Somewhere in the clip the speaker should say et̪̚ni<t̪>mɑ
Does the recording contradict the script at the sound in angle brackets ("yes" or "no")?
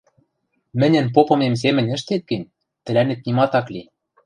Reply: yes